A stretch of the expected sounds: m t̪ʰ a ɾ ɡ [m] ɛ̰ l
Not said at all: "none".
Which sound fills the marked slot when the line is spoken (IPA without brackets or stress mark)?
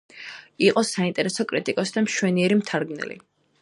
n